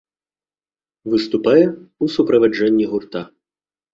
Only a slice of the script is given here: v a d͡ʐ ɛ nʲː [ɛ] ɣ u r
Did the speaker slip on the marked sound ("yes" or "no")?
yes